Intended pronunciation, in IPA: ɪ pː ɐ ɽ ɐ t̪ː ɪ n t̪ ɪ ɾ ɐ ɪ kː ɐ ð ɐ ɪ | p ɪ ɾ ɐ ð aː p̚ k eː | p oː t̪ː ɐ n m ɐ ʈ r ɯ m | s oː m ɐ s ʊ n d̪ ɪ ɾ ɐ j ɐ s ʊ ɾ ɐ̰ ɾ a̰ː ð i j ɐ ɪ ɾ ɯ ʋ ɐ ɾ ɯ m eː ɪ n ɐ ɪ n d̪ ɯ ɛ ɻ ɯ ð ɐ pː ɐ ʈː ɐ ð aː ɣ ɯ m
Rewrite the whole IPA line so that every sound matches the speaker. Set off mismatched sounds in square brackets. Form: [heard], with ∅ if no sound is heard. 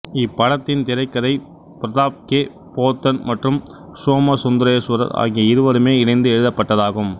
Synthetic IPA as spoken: ɪ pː ɐ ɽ ɐ t̪ː ɪ n t̪ ɪ ɾ ɐ ɪ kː ɐ ð ɐ ɪ | p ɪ ɾ ɐ ð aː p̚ k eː | p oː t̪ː ɐ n m ɐ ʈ r ɯ m | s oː m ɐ s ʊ n d̪ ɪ ɾ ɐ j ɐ s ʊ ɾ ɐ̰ ɾ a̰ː [ɣ] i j ɐ ɪ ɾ ɯ ʋ ɐ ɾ ɯ m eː ɪ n ɐ ɪ n d̪ ɯ ɛ ɻ ɯ ð ɐ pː ɐ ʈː ɐ ð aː ɣ ɯ m